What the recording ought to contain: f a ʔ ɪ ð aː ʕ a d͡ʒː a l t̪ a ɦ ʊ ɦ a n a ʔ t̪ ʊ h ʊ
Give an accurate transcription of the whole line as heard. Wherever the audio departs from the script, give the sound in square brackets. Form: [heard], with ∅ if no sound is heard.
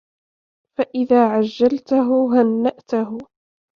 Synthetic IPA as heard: f a ʔ ɪ ð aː ʕ a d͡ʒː a l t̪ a ɦ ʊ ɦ a [nː] a ʔ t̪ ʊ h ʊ